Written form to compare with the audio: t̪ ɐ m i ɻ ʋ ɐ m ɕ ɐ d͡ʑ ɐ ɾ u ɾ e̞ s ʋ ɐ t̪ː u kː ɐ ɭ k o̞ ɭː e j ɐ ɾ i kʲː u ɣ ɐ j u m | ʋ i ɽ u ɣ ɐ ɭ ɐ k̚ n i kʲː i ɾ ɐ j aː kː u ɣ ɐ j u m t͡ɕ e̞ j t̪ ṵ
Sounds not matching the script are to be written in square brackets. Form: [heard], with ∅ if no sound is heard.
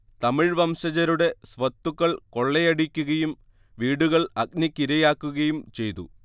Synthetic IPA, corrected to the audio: t̪ ɐ m i ɻ ʋ ɐ m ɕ ɐ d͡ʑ ɐ ɾ u [ɽ] e̞ s ʋ ɐ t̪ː u kː ɐ ɭ k o̞ ɭː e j ɐ [ɽ] i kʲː u ɣ ɐ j u m | ʋ [iː] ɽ u ɣ ɐ ɭ ɐ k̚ n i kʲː i ɾ ɐ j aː kː u ɣ ɐ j u m t͡ɕ e̞ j t̪ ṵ